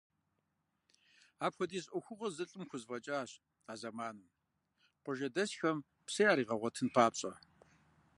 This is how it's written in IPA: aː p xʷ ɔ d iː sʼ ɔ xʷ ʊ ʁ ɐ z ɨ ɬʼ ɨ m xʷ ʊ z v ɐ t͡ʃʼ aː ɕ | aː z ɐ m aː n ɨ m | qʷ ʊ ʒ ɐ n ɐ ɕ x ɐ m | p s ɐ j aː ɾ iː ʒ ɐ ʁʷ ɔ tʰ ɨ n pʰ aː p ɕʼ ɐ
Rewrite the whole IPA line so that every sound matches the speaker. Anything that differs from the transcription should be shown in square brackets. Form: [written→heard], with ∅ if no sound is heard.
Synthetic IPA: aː p xʷ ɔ d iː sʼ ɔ xʷ ʊ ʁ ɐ z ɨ ɬʼ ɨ m xʷ ʊ z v ɐ t͡ʃʼ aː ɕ | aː z ɐ m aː n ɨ m | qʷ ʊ ʒ ɐ [n→d] ɐ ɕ x ɐ m | p s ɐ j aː ɾ iː [ʒ→ʁ] ɐ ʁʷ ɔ tʰ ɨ n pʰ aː p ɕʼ ɐ